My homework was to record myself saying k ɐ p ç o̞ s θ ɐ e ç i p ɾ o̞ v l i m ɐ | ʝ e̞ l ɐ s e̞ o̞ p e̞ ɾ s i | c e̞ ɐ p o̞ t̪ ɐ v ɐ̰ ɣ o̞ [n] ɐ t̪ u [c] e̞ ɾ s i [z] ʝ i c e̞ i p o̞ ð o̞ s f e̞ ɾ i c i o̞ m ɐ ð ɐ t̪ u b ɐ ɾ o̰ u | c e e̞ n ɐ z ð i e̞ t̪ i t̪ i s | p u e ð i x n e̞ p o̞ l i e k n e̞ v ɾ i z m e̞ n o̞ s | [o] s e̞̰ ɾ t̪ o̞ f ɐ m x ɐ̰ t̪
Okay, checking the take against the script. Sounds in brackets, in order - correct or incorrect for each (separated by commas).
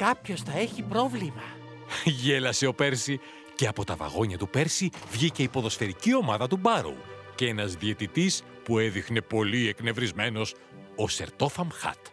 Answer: incorrect, incorrect, incorrect, correct